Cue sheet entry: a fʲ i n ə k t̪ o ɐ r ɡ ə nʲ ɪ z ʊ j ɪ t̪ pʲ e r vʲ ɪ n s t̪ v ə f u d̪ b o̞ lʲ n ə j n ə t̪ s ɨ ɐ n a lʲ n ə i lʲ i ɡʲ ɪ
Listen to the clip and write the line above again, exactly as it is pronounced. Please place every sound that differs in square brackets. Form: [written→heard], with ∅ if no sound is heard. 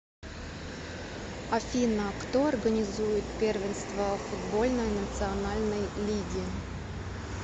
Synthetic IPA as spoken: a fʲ i n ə k t̪ o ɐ r ɡ ə nʲ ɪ z [ʊ→u] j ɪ t̪ pʲ e r vʲ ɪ n s t̪ v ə f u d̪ b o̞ lʲ n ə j n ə t̪ s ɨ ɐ n a lʲ n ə [i→j] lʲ i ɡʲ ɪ